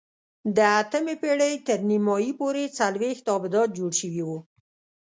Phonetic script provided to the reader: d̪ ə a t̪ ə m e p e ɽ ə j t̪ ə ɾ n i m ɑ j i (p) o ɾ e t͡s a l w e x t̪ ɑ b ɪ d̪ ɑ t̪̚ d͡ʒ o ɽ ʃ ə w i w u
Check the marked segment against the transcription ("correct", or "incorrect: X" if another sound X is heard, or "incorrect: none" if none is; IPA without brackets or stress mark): correct